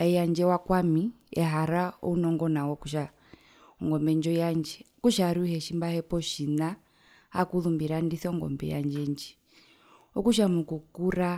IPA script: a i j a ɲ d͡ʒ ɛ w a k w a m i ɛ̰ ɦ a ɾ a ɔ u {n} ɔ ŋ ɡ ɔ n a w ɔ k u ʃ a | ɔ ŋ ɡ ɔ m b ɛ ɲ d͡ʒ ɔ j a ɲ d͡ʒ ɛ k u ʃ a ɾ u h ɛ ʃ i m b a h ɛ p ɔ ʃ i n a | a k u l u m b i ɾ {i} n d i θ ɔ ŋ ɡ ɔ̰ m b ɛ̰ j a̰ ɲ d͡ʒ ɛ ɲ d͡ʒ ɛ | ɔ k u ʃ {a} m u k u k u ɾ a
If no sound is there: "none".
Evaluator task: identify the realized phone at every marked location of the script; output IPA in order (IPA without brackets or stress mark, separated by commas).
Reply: n, a, a